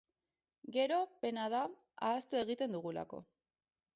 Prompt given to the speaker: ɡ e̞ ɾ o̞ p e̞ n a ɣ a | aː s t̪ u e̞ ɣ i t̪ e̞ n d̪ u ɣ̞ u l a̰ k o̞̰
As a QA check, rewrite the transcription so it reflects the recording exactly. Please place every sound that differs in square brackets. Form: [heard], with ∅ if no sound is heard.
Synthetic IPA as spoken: ɡ e̞ ɾ o̞ p e̞ n a [ð] a | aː s t̪ u e̞ ɣ i t̪ e̞ n d̪ u ɣ̞ u l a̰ k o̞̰